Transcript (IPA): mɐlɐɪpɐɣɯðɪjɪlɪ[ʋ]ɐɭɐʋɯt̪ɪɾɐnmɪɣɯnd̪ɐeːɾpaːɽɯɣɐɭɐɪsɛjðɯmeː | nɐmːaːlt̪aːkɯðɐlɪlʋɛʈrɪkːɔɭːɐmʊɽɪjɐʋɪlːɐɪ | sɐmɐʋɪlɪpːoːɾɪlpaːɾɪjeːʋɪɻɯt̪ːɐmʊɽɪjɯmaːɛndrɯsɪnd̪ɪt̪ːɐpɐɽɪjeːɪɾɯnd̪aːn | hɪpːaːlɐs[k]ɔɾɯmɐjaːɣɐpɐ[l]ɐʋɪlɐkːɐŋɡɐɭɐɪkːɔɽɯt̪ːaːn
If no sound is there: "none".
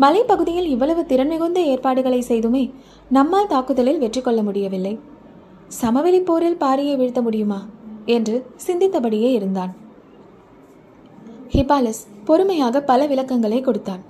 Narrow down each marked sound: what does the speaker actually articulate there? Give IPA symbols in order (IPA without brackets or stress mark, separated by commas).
ʋː, p, l